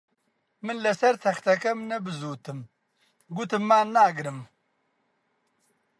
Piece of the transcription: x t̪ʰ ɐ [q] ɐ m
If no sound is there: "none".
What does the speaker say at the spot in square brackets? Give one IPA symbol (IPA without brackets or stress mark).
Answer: k